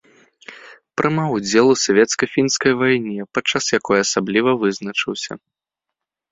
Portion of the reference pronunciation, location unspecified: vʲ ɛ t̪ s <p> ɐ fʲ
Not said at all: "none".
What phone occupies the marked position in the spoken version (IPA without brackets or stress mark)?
k